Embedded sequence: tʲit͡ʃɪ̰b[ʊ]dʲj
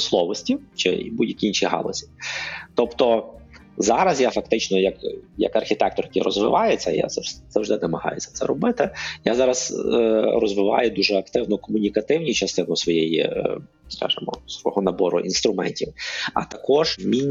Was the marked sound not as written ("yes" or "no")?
yes